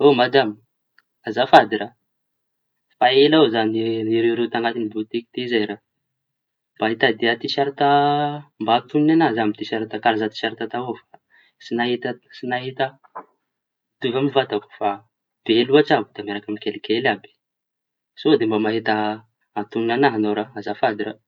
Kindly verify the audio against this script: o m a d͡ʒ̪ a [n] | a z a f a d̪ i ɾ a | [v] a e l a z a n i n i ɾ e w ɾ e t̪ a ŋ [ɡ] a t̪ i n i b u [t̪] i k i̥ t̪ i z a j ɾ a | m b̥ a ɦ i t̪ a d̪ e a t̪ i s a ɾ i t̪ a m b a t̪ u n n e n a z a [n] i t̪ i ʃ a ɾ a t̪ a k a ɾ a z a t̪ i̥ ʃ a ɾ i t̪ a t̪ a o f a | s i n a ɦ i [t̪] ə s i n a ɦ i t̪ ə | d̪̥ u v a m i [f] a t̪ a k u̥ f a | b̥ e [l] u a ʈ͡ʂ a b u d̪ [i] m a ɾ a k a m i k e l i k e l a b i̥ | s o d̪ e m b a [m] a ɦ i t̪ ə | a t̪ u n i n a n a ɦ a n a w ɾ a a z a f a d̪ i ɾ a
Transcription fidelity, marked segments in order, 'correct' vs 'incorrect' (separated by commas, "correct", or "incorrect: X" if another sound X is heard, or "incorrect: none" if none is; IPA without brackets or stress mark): incorrect: m, incorrect: f, correct, correct, incorrect: m, correct, incorrect: v, correct, incorrect: a, correct